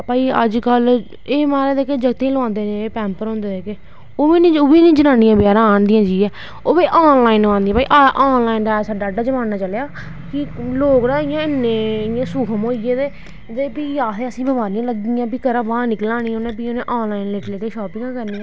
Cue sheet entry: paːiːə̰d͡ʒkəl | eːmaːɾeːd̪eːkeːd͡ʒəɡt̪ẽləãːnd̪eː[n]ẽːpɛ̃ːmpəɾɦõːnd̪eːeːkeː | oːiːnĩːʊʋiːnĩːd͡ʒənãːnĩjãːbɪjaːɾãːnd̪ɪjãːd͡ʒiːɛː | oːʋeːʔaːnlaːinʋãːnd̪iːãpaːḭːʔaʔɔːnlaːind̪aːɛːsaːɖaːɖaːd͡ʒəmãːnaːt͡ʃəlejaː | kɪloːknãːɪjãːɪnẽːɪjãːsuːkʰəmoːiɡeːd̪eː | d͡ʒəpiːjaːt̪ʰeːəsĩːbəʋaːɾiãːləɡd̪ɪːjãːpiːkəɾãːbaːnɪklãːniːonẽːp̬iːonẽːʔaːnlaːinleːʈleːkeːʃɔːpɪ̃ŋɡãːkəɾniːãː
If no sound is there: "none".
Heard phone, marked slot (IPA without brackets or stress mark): n